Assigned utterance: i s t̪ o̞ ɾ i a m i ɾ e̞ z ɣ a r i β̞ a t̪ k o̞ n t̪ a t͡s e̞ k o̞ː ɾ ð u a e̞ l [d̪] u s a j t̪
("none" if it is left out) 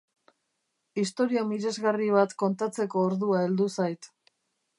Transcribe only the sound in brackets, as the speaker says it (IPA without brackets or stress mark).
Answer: d̪